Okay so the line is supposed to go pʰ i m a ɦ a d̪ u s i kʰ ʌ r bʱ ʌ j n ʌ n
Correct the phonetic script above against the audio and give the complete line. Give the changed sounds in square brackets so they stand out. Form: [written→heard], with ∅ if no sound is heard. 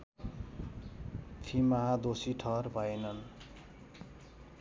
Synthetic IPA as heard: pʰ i m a ɦ a d̪ [u→o] s i [kʰ→ʈʰ] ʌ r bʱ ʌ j n ʌ n